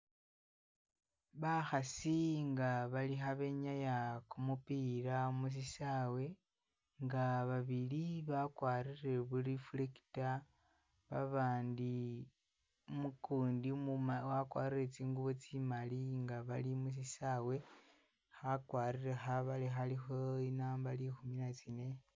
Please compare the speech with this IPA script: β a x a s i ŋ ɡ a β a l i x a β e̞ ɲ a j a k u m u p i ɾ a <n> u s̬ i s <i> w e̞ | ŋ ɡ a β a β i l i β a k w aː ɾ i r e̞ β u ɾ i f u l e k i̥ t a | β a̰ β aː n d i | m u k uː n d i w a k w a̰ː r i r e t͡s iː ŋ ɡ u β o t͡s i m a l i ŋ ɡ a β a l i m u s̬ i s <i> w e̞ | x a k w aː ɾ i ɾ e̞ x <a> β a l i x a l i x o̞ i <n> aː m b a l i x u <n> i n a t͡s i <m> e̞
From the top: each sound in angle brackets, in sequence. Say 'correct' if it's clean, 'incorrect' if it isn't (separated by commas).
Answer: incorrect, incorrect, incorrect, correct, correct, incorrect, incorrect